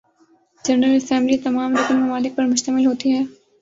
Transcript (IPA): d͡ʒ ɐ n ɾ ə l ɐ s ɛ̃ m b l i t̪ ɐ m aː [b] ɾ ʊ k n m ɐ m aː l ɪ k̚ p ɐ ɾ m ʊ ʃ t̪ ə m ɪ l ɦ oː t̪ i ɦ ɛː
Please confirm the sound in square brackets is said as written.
no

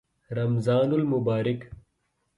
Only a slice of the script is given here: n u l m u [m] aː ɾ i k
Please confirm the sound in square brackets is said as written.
no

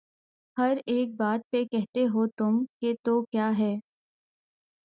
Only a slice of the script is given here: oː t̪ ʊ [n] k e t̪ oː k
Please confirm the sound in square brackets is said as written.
no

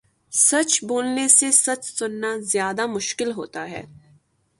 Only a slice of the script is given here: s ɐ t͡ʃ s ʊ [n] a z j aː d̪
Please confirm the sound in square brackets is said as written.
no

